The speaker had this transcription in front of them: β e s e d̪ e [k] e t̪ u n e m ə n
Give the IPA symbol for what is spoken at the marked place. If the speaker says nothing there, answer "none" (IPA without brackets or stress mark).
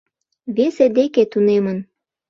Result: k